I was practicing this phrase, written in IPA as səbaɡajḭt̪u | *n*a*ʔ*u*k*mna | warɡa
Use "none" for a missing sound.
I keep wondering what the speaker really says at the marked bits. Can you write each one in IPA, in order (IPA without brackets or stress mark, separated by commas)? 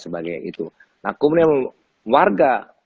n, k, none